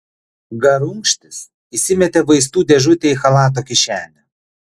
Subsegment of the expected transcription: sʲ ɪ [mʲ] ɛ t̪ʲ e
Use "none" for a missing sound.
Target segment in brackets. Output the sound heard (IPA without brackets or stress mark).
mʲ